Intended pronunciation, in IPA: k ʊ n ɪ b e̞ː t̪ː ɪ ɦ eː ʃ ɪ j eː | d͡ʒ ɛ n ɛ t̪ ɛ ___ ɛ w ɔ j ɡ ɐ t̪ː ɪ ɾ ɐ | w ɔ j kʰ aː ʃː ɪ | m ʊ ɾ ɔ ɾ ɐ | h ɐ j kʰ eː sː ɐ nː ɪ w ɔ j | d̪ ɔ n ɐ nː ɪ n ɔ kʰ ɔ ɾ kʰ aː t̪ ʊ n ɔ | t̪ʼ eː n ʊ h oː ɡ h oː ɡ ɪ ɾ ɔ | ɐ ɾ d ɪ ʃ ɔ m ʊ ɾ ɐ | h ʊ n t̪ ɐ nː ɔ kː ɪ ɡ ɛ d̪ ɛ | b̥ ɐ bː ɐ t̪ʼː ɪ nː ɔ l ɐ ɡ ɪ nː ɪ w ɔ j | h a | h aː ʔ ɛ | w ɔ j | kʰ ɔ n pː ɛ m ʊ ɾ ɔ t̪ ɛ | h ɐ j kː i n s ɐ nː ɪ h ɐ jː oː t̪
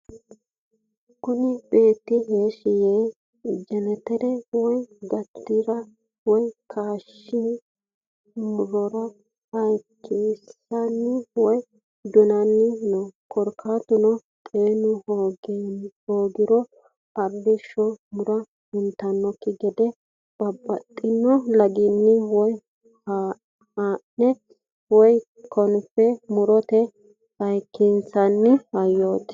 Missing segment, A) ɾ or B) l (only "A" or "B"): A